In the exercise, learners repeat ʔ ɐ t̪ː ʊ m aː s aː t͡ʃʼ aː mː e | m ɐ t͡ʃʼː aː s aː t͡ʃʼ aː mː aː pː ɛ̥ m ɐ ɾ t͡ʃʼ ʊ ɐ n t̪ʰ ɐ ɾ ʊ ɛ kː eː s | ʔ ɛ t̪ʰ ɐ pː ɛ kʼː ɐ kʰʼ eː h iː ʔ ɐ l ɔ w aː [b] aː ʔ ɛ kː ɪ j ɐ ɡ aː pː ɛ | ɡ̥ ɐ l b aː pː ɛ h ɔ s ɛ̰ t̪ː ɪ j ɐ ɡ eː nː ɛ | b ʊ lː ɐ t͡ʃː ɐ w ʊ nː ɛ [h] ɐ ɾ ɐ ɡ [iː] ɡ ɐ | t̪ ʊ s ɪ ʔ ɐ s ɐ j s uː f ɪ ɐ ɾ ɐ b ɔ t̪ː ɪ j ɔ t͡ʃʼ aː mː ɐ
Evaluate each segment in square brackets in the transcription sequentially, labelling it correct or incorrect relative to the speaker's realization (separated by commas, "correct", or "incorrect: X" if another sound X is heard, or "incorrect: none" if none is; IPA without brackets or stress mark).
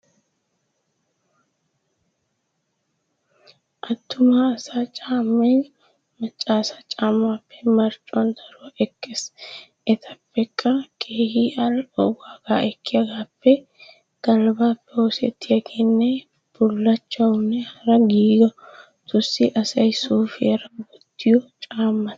incorrect: ɡ, correct, correct